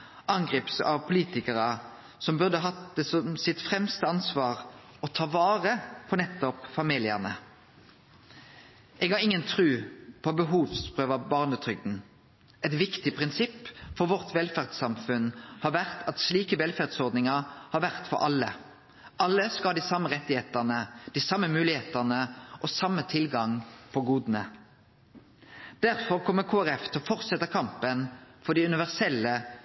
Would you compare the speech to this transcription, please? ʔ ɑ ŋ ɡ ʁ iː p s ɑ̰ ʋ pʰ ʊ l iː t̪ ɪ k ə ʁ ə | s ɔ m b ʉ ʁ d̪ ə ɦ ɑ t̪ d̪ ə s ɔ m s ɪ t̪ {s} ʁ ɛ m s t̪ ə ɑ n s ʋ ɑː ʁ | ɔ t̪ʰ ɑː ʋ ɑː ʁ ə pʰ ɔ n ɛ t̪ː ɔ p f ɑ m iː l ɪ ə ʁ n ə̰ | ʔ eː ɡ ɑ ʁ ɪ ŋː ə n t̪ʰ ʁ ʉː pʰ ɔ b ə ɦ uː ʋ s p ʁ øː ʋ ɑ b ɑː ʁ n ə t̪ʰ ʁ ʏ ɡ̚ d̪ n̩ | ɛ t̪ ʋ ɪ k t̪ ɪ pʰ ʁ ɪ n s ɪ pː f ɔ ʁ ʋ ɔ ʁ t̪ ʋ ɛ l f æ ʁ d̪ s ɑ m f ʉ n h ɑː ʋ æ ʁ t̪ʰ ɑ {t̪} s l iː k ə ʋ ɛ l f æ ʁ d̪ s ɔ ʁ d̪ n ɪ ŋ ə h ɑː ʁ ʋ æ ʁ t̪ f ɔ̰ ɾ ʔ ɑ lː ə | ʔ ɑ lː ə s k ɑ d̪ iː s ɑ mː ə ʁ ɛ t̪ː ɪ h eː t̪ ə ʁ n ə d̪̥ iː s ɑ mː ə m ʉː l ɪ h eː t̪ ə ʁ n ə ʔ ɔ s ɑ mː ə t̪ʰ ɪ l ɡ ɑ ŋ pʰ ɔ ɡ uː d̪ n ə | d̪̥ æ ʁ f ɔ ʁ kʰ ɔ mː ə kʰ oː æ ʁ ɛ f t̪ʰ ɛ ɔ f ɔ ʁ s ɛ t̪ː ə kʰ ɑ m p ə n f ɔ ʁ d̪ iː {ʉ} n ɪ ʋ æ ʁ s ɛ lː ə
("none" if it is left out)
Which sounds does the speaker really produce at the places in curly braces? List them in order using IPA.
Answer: f, t̪, ʉ

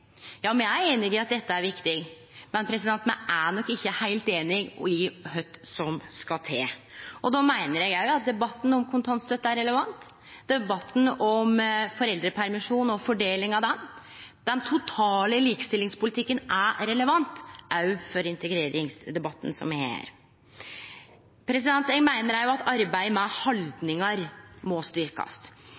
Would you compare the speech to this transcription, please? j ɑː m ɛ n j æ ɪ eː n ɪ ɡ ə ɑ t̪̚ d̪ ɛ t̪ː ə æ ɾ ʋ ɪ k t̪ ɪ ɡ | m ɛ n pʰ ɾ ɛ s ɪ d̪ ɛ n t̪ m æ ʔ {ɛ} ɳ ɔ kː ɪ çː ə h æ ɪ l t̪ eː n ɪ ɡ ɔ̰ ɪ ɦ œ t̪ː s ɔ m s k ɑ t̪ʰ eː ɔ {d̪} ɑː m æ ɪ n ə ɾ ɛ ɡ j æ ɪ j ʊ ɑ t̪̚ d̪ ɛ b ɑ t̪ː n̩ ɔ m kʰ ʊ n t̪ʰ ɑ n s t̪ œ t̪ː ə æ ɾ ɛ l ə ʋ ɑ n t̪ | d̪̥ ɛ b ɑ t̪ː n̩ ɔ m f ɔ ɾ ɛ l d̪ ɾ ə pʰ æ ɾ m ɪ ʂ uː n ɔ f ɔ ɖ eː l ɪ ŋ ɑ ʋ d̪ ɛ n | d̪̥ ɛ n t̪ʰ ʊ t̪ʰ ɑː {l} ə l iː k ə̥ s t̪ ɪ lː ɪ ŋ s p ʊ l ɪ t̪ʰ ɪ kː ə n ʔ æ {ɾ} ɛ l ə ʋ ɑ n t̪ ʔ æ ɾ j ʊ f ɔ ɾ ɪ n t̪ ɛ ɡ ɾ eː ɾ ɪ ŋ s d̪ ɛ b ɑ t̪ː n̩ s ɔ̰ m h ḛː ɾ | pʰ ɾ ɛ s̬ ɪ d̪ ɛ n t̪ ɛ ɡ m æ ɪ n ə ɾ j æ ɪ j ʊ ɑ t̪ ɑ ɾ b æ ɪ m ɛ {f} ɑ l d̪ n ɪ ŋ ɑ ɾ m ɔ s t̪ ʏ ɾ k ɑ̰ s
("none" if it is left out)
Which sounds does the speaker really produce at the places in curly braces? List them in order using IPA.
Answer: æ, d̪, l, ɾ, h

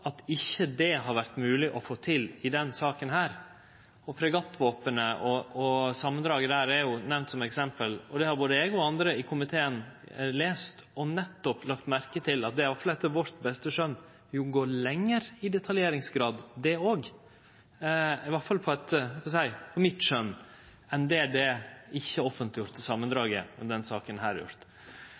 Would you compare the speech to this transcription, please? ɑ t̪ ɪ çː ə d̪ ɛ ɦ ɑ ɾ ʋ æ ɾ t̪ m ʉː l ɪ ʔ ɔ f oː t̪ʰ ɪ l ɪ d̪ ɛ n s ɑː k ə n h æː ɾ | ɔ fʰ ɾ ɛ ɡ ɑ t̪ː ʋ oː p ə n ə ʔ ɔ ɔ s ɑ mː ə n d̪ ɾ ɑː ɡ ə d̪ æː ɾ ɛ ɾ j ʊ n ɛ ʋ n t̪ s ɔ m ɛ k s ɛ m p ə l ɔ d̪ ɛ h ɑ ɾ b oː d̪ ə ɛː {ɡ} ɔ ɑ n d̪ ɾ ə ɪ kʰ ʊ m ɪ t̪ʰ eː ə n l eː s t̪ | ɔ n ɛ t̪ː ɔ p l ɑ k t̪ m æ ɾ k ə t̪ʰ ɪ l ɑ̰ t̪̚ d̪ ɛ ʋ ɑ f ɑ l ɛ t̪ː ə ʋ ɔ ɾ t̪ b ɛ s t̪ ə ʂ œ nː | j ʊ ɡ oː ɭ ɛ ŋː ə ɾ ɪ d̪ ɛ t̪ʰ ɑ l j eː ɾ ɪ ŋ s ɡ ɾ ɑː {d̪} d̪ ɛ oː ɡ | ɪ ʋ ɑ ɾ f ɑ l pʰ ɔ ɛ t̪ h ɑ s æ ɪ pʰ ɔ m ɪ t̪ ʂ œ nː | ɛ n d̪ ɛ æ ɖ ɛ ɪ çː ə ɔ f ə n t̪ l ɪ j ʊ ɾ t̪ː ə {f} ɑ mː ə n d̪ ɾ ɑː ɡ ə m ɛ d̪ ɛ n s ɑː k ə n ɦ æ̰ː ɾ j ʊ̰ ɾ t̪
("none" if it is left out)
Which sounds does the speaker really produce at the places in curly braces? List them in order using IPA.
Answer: ɡ, d̪, s

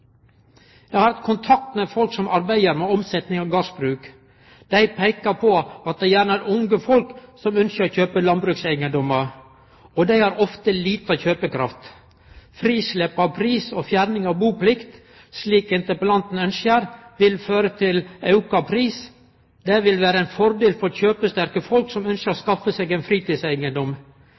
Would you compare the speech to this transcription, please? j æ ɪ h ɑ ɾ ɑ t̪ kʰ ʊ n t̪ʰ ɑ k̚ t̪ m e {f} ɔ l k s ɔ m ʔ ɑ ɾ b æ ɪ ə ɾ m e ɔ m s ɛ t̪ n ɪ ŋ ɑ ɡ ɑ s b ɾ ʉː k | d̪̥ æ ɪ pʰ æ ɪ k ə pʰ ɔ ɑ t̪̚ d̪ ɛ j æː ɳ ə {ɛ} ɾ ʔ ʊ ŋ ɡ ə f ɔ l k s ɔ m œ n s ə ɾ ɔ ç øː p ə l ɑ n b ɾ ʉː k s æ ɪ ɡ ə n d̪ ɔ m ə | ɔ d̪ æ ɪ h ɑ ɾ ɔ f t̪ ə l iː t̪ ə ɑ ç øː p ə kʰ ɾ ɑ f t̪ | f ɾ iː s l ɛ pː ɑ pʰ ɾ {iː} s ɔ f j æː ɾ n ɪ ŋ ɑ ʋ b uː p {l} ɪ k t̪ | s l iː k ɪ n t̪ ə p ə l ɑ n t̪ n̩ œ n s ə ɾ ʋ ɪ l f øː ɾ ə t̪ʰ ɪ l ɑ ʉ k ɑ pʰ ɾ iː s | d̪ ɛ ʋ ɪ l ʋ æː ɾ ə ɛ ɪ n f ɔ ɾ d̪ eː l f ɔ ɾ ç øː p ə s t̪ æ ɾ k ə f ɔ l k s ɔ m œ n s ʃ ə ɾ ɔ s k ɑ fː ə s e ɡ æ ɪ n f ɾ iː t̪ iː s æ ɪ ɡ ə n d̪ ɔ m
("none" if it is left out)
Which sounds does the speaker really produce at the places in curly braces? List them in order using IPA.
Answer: f, æ, iː, l

